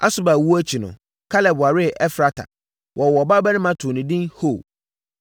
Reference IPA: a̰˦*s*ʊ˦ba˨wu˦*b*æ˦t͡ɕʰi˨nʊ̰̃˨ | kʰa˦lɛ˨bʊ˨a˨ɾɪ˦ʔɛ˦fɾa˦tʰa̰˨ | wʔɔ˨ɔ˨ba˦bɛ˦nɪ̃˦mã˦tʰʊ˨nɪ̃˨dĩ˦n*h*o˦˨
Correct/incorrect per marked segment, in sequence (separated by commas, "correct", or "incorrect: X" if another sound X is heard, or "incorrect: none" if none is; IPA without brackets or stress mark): correct, incorrect: none, correct